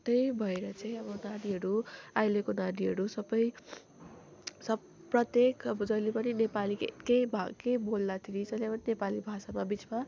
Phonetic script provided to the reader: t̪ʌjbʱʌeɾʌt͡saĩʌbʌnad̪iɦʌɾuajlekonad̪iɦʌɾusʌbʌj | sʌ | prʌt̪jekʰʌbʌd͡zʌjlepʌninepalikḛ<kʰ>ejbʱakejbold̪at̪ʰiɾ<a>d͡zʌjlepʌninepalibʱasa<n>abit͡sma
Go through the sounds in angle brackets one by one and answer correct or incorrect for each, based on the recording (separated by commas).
incorrect, incorrect, incorrect